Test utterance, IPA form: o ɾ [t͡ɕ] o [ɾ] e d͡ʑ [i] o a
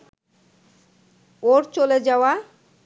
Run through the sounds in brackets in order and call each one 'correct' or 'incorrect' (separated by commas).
correct, incorrect, incorrect